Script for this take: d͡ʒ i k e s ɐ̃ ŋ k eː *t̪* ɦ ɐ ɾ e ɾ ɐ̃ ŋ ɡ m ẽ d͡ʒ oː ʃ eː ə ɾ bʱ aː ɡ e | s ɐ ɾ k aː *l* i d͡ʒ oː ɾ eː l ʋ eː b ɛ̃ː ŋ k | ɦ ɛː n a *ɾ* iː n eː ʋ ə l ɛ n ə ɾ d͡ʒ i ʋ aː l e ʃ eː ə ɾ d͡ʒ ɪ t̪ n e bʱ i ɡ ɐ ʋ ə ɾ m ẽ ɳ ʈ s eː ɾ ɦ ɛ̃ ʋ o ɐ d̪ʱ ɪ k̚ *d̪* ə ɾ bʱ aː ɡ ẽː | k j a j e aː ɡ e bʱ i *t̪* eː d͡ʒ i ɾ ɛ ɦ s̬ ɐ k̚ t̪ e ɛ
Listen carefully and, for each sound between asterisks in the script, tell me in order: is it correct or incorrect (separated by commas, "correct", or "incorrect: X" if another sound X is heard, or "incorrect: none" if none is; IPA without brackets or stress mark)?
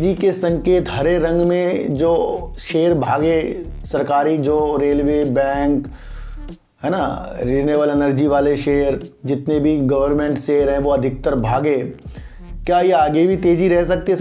correct, incorrect: ɾ, correct, incorrect: t̪, correct